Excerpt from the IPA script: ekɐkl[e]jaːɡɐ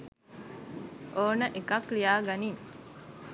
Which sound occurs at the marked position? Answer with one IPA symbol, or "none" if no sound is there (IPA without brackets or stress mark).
i